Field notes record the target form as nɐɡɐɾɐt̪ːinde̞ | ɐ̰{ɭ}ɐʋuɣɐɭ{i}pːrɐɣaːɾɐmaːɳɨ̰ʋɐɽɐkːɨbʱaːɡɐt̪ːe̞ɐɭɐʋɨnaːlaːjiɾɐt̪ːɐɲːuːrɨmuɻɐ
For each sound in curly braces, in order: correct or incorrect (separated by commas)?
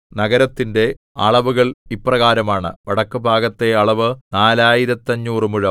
correct, correct